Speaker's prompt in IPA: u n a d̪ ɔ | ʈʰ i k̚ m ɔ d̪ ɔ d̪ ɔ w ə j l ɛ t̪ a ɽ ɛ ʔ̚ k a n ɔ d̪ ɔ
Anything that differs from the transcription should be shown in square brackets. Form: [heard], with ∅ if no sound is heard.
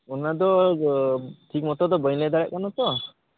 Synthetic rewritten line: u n a d̪ ɔ | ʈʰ i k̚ m ɔ [t̪] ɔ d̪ ɔ [b] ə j l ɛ [d̪] a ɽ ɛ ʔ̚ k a n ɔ [t̪] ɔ